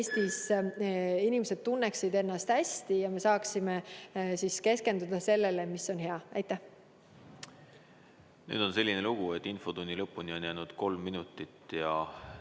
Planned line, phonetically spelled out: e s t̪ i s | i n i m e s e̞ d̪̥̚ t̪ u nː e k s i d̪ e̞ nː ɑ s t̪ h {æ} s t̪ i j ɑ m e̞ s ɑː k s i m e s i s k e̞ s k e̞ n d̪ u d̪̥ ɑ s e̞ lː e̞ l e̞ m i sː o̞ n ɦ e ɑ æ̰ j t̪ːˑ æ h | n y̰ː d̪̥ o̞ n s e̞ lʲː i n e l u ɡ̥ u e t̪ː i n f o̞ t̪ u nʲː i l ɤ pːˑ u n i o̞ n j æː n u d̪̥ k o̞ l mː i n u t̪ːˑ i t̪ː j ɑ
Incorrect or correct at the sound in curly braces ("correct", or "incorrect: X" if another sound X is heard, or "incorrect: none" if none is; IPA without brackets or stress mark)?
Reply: correct